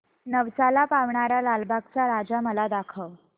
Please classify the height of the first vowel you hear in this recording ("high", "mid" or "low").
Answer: mid